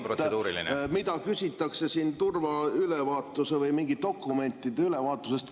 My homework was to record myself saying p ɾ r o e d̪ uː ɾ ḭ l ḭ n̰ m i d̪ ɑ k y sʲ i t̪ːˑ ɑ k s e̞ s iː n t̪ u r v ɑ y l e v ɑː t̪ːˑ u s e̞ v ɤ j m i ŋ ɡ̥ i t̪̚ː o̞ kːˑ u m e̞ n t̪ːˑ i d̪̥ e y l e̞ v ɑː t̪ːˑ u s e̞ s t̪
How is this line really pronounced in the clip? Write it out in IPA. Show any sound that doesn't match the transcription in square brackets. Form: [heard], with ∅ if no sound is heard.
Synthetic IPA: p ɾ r o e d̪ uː ɾ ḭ l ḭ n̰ m i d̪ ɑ k y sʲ i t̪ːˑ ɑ k s e̞ s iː n t̪ u r v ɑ y l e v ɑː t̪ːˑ u s e̞ v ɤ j m i ŋ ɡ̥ i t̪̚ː o̞ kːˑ u m e̞ n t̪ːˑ i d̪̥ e y l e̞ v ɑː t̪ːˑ u s e̞ s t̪